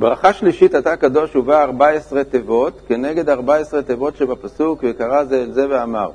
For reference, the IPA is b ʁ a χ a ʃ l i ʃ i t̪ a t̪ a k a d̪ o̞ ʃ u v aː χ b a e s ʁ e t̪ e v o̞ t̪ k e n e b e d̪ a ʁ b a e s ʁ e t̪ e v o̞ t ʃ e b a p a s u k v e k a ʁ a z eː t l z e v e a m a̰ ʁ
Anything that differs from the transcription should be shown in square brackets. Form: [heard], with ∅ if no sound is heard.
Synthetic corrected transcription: b ʁ a χ a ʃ l i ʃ i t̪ a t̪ a k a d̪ o̞ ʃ u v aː [ʁ] b a e s ʁ e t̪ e v o̞ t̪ k e n e [ɡ] e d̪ a ʁ b a e s ʁ e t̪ e v o̞ t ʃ e b a p a s u k v e k a ʁ a z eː [∅] l z e v e a m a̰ ʁ